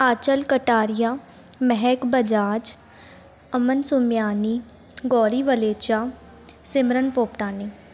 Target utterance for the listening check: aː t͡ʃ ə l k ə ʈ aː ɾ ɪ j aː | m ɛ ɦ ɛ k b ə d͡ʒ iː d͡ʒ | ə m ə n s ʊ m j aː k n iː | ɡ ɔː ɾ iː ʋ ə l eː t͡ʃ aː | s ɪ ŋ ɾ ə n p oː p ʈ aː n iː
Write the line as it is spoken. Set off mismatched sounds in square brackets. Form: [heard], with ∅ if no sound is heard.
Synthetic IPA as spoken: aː t͡ʃ ə l k ə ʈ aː ɾ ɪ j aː | m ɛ ɦ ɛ k b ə d͡ʒ [aː] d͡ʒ | ə m ə n s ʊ m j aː [∅] n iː | ɡ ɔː ɾ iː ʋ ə l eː t͡ʃ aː | s ɪ [m] ɾ ə n p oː p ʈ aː n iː